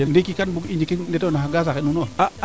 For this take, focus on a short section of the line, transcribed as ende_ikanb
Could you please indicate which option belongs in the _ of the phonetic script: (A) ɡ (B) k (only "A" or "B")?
B